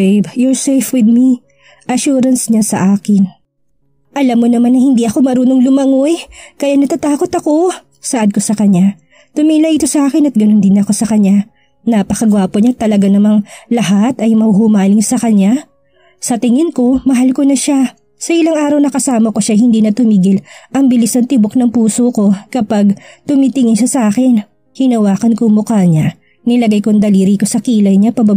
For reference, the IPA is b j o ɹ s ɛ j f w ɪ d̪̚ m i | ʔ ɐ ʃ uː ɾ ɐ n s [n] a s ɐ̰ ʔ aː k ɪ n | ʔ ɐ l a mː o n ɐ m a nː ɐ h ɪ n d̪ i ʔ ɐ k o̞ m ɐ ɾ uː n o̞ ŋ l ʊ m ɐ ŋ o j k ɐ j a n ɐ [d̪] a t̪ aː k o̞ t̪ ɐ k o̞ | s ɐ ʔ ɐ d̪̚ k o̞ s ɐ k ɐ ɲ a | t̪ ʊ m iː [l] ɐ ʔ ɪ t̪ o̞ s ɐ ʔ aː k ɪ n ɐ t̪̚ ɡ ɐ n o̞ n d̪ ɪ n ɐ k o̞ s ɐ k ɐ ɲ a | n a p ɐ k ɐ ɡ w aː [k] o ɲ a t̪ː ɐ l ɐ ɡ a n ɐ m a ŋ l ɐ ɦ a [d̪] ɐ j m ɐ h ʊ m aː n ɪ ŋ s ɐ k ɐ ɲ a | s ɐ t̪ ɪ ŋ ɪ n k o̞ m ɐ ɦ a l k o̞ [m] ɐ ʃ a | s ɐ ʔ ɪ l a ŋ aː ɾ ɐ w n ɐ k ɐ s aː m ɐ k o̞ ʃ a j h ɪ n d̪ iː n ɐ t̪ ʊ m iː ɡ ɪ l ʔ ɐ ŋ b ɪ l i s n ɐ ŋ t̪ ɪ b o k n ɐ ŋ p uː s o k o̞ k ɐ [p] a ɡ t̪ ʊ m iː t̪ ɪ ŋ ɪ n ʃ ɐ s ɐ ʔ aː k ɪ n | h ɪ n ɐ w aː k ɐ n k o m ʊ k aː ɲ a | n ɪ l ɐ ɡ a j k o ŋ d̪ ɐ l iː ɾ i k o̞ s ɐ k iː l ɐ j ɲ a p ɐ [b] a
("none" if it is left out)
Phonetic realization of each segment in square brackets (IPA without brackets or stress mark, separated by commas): ɲ, t̪, l, p, t̪, n, p, b